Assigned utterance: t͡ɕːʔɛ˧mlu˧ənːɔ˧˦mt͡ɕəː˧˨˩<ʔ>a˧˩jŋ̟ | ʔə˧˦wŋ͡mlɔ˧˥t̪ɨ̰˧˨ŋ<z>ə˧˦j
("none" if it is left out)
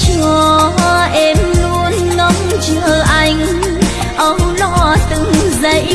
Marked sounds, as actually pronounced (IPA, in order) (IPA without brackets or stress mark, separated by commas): ʔ, z